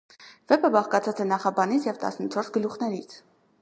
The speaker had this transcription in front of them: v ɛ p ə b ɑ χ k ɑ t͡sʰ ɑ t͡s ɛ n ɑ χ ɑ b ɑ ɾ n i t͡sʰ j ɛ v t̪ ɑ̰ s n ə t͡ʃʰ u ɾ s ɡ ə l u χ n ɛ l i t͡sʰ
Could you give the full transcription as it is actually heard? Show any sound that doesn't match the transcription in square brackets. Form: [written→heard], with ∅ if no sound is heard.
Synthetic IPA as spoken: v ɛ p ə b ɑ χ k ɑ t͡sʰ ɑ t͡s ɛ n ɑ χ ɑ b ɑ [ɾ→∅] n i t͡sʰ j ɛ v t̪ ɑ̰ s n ə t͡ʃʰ [u→ɔ] ɾ s ɡ ə l u χ n ɛ [l→ɾ] i t͡sʰ